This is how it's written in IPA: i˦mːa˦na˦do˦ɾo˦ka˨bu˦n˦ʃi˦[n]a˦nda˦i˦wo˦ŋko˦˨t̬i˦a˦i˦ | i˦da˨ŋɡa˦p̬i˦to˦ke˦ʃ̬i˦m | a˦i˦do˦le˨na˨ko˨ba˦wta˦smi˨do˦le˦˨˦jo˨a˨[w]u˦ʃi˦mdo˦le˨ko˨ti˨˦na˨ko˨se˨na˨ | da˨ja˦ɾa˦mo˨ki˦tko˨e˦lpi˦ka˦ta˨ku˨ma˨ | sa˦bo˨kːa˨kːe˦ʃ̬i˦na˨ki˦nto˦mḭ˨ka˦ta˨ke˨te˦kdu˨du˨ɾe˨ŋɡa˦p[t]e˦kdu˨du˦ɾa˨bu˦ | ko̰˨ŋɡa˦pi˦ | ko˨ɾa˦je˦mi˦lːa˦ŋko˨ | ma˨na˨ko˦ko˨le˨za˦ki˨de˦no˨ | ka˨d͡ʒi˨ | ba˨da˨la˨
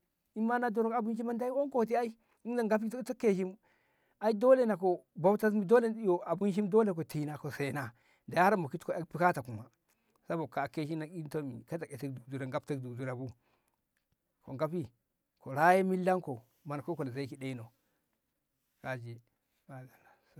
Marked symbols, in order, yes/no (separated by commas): no, no, yes